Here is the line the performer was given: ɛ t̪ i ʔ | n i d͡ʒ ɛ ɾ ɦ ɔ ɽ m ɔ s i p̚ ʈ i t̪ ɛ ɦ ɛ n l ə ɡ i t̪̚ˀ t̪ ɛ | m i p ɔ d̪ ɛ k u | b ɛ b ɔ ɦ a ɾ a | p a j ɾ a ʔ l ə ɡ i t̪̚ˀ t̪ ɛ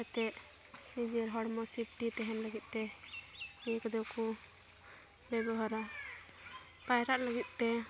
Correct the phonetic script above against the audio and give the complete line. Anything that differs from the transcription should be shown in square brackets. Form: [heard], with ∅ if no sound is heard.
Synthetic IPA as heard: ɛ t̪ [ɛ] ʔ | n i d͡ʒ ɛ ɾ ɦ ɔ ɽ m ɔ s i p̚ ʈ i t̪ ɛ ɦ ɛ n l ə ɡ i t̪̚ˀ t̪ ɛ | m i [k] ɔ d̪ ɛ k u | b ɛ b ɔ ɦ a ɾ a | p a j ɾ a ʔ l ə ɡ i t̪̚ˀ t̪ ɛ